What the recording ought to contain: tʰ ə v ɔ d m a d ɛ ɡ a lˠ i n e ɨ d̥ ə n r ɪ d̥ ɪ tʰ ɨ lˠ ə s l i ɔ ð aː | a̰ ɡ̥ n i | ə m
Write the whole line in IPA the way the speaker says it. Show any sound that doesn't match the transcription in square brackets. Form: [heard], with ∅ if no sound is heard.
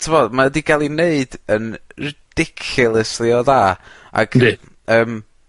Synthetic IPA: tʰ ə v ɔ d m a d [i] ɡ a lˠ i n e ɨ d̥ ə n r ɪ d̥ ɪ [kʰ] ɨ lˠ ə s l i ɔ ð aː | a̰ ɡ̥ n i | [əː] m

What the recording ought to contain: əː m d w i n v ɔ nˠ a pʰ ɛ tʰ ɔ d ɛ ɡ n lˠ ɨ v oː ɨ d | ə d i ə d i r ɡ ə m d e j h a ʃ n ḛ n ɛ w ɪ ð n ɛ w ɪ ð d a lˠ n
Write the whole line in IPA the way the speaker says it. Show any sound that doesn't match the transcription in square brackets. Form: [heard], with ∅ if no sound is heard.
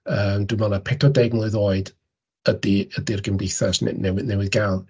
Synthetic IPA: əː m d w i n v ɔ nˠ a pʰ ɛ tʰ ɔ d ɛ ɡ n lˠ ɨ [ð] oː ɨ d | ə d i ə d i r ɡ ə m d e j [θ] a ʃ n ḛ n ɛ w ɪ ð n ɛ w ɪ ð [ɡ] a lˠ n

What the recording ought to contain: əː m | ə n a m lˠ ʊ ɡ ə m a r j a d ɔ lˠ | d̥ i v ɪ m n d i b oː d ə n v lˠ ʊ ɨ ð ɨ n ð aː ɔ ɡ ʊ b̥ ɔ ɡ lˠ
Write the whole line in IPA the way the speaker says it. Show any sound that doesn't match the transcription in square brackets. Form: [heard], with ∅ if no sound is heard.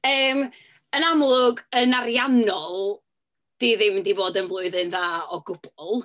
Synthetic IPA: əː m | ə n a m lˠ ʊ ɡ ə [n] a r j a [n] ɔ lˠ | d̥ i [ð] ɪ m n d i b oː d ə n v lˠ ʊ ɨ ð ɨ n ð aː ɔ ɡ ʊ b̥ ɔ [∅] lˠ

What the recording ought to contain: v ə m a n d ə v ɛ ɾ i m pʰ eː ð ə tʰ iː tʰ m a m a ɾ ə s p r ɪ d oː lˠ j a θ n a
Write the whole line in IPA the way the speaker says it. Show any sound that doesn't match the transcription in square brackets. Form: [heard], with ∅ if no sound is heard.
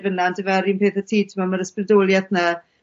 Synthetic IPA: v ə [n] a n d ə v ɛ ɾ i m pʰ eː [θ] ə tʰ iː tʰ m a m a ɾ ə s p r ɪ d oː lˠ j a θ n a

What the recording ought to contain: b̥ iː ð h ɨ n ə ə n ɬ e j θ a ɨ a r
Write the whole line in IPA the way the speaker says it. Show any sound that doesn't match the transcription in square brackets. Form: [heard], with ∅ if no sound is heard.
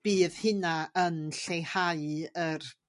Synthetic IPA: b̥ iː ð h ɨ n [a] ə n ɬ e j [h] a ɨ [ə] r

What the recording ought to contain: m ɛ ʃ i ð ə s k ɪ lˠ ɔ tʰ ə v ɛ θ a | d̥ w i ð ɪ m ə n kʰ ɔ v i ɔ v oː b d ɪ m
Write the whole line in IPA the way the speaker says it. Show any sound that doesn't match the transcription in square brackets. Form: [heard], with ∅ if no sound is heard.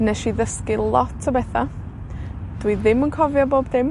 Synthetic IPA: [n] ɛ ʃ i ð ə s k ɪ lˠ ɔ tʰ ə [b] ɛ θ a | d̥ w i ð ɪ m ə n kʰ ɔ v [j] ɔ [b] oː b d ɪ m

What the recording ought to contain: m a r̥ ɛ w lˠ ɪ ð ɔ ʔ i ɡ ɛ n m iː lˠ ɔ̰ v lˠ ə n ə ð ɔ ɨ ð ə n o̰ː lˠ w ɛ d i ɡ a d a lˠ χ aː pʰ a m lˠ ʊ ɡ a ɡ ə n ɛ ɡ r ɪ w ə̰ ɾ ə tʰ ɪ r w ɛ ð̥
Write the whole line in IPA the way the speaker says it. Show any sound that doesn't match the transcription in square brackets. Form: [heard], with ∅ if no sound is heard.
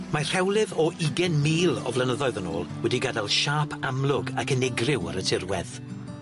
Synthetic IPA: m a r̥ ɛ w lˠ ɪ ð ɔ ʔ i ɡ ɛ n m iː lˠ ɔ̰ v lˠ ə n ə ð ɔ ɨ ð ə n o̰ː lˠ w ɛ d i ɡ a d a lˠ [ʃ] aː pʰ a m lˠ ʊ ɡ a [k] ə n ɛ ɡ r ɪ w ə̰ ɾ ə tʰ ɪ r w ɛ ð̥

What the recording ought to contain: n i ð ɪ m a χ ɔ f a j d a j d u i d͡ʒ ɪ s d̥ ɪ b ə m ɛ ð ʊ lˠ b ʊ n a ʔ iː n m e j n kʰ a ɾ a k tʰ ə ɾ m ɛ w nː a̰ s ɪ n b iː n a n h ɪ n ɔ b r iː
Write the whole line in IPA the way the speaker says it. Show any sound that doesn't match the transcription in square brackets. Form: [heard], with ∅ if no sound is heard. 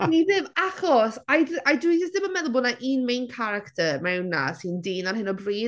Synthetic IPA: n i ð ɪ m a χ ɔ [s] a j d a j d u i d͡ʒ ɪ s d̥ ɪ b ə m ɛ ð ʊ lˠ b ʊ n a ʔ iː n m e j n kʰ a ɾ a k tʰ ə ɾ m ɛ w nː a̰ s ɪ n [d] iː n a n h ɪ n ɔ b r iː

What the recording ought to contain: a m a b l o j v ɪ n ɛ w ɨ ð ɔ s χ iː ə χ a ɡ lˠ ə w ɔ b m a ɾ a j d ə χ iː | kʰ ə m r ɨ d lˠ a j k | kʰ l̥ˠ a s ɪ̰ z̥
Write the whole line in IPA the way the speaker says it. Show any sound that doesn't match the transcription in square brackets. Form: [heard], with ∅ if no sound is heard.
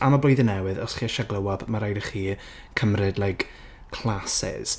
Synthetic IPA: a m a b l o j [ð] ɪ n ɛ w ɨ ð ɔ s χ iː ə [ʃ] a ɡ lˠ ə w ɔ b m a ɾ a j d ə χ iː | kʰ ə m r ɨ d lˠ a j k | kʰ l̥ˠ a s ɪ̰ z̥

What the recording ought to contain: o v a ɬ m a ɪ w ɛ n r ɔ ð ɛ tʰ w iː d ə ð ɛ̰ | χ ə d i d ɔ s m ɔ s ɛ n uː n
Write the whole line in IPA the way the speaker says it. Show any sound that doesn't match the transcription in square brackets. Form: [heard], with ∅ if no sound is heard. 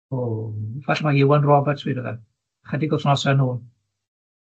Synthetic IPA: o v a ɬ m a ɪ w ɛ n r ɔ [v] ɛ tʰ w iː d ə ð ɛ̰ | χ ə d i [ɡ] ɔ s [n] ɔ s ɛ n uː n

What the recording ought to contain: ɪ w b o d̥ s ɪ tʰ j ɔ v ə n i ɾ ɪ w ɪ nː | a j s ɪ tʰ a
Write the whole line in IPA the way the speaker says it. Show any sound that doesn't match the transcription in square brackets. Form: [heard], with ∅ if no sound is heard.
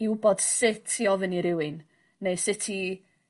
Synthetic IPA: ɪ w b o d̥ s ɪ tʰ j ɔ v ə n i ɾ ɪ w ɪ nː | [e] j s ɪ tʰ [i]

